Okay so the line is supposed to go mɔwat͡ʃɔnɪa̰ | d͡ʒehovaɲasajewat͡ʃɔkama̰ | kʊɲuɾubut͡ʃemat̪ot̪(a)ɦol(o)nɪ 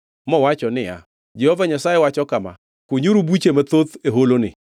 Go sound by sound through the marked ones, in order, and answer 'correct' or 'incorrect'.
incorrect: e, correct

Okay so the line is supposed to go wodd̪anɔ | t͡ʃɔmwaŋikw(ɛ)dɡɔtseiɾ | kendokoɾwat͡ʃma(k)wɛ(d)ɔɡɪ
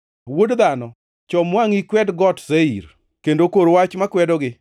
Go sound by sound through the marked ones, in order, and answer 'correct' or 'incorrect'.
correct, correct, correct

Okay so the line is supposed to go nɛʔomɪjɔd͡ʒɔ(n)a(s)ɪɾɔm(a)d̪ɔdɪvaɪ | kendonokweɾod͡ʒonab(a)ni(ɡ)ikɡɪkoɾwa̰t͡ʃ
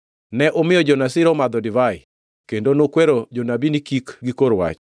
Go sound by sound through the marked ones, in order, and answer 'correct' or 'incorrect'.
correct, correct, correct, incorrect: i, incorrect: k

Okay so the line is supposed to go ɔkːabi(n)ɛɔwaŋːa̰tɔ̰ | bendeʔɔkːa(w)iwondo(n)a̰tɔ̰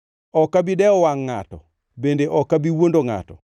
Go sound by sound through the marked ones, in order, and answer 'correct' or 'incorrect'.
incorrect: d, incorrect: b, incorrect: ŋ

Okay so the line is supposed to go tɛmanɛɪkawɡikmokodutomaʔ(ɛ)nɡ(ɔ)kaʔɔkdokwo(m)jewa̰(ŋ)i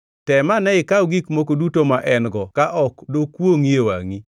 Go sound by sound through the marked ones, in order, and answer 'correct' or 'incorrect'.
correct, correct, incorrect: ŋ, correct

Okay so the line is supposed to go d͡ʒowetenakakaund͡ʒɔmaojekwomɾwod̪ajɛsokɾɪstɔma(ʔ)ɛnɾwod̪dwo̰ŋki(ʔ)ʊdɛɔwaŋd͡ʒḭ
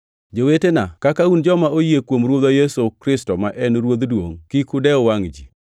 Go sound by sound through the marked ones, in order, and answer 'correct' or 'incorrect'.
correct, incorrect: k

